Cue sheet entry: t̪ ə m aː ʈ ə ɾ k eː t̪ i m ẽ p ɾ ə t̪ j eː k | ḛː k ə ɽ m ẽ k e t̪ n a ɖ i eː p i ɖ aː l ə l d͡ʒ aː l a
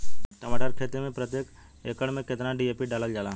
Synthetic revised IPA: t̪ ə m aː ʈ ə ɾ kʰ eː t̪ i m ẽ p ɾ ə t̪ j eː k | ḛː k ə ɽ m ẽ k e t̪ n a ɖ i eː p i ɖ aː l ə l d͡ʒ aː l a